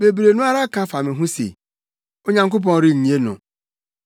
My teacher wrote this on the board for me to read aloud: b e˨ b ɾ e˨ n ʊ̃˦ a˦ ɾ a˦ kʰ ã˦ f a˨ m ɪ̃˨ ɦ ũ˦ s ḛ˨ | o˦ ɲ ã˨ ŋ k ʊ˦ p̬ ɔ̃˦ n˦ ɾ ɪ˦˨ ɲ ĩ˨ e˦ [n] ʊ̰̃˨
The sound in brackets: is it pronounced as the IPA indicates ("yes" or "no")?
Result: yes